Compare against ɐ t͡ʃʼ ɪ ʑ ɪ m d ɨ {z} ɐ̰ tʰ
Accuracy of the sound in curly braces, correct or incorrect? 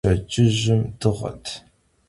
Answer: incorrect: ʁ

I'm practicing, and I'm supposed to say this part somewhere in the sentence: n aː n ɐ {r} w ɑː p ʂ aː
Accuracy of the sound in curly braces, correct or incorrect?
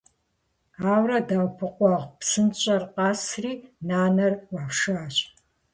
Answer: correct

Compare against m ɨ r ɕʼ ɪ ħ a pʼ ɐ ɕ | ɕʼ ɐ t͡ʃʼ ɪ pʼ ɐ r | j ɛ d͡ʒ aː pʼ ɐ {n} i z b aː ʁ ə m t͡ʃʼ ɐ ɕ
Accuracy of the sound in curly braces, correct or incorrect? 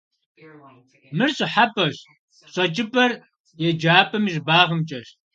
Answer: incorrect: m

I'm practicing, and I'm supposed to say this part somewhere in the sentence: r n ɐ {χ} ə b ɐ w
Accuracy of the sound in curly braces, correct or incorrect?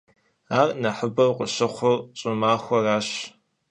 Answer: incorrect: ħ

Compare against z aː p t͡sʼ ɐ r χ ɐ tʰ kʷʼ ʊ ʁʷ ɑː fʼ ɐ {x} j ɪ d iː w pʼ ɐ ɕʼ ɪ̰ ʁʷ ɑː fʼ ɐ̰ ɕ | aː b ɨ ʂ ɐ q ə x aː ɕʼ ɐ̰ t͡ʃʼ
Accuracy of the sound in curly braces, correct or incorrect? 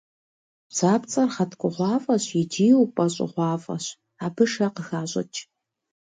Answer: incorrect: ɕ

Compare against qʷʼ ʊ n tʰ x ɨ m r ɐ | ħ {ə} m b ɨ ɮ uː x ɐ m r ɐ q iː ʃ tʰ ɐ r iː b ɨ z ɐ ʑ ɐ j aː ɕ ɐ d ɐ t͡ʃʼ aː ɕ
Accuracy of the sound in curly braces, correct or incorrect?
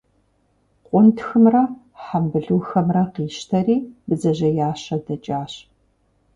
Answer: incorrect: a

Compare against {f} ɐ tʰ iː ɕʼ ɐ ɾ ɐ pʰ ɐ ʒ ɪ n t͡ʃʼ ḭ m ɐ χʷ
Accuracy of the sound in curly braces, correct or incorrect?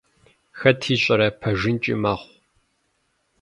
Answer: incorrect: x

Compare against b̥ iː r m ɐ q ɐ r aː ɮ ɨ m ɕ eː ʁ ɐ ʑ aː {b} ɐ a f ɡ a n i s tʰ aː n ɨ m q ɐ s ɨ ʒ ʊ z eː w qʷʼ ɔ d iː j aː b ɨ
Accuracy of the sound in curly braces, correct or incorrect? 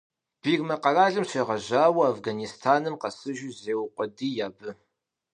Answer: incorrect: w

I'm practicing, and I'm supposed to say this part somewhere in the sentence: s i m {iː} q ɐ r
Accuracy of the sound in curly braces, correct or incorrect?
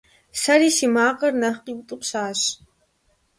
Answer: incorrect: aː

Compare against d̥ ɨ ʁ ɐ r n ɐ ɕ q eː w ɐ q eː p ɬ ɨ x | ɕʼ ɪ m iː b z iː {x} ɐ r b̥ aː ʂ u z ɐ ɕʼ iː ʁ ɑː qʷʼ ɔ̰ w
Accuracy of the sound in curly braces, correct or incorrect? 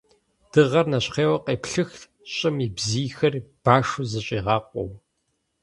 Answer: correct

